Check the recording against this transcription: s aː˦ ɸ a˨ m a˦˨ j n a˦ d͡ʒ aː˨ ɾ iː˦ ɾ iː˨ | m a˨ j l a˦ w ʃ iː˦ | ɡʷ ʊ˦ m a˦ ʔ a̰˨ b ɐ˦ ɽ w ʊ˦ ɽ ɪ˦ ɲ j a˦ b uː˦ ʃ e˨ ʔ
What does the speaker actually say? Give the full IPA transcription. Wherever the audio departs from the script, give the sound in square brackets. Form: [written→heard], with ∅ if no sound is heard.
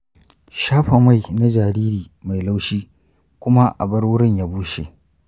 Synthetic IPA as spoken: [s→ʃ] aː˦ ɸ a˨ m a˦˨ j n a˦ d͡ʒ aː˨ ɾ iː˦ ɾ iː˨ | m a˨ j l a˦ w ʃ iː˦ | [ɡʷ→kʷ] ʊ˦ m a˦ ʔ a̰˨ b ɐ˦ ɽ w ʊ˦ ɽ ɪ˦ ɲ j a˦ b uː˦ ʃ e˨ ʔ